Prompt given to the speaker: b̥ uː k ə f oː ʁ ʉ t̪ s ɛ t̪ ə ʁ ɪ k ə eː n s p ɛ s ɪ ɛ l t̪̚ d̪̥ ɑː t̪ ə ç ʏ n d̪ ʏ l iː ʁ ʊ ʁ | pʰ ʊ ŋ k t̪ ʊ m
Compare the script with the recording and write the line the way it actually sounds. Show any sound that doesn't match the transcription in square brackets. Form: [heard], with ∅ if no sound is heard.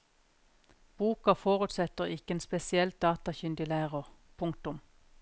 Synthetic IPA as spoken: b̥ uː k [ɑ] f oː ʁ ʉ t̪ s ɛ t̪ ə ʁ ɪ k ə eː n s p ɛ s ɪ ɛ l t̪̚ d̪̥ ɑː t̪ [ɑ] ç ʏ n d̪ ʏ l [æː] ʁ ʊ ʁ | pʰ ʊ ŋ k t̪ ʊ m